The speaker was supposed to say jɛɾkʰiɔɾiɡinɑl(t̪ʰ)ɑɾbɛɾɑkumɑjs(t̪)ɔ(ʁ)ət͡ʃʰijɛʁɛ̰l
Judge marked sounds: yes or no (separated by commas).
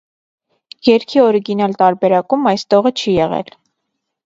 no, yes, yes